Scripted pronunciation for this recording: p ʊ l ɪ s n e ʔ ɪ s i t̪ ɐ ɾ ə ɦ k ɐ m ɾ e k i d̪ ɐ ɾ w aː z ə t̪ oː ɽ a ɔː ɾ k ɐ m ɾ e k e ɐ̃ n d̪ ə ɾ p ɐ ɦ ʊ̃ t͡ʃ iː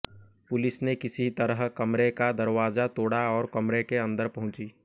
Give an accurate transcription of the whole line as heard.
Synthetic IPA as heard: p ʊ l ɪ s n e k ɪ s i t̪ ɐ ɾ ə ɦ k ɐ m ɾ e k a d̪ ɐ ɾ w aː z a t̪ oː ɽ a ɔː ɾ k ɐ m ɾ e k e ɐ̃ n d̪ ə ɾ p ɐ ɦ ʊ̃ t͡ʃ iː